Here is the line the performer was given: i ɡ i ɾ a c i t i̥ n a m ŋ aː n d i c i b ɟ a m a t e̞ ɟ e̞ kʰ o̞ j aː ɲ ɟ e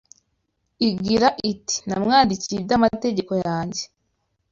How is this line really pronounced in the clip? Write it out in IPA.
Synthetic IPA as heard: i ɡ i ɾ a ʔ i t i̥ n a m ŋ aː n d i c i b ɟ a m a t e̞ ɟ e̞ k o̞ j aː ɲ ɟ e